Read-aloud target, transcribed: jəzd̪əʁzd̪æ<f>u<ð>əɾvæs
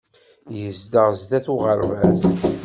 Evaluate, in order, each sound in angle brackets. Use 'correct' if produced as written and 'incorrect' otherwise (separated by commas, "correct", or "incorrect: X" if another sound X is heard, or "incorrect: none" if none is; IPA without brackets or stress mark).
incorrect: θ, incorrect: ʁ